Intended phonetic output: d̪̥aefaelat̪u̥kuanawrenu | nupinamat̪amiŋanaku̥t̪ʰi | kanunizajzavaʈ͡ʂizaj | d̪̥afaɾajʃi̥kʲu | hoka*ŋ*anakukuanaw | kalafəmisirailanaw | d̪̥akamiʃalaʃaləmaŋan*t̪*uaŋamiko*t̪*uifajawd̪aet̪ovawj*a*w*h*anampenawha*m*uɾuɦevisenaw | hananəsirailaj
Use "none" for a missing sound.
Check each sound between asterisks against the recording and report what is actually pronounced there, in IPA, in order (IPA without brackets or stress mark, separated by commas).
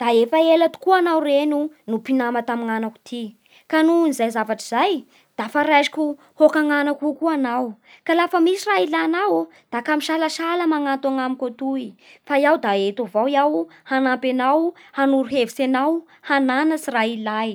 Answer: ŋ, t̪, t̪, a, h, n